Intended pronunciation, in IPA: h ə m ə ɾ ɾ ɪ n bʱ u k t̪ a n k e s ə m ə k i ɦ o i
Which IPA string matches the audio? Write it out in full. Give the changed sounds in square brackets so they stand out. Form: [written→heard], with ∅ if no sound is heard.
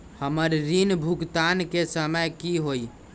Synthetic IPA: h ə m ə ɾ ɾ [ɪ→i] n bʱ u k t̪ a n k e s ə m ə k i ɦ o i